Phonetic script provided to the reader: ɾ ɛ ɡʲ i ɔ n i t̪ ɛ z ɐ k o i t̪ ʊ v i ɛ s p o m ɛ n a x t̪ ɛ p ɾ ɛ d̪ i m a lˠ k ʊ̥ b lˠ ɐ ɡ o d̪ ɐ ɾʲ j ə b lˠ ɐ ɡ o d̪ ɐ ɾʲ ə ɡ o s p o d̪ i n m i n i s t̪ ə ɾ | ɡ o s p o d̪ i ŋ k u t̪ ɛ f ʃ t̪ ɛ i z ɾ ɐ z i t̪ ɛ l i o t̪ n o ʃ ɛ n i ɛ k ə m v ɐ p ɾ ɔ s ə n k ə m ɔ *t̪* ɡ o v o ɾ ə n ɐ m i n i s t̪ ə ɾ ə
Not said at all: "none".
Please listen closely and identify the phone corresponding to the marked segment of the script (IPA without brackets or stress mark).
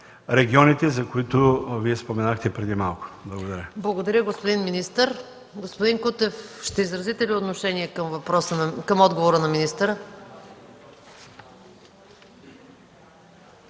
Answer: d̪